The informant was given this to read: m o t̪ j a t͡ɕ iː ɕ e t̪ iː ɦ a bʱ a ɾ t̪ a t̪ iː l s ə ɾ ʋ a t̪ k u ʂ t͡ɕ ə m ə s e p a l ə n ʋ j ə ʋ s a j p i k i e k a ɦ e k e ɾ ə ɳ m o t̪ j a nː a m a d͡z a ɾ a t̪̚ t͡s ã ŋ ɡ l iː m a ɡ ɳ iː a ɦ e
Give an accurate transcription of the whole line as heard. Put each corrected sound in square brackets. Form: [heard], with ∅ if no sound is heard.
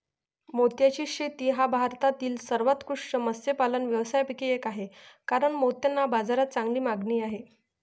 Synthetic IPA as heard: m o t̪ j a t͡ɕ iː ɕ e t̪ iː ɦ a bʱ a ɾ t̪ a t̪ iː l s ə ɾ ʋ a t̪ k u ʂ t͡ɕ ə m ə s e p a l ə n ʋ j ə ʋ s a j p i k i e k a ɦ e k [a] ɾ ə ɳ m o t̪ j a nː a [b] a d͡z a ɾ a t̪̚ t͡s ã ŋ ɡ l iː m a ɡ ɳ iː a ɦ e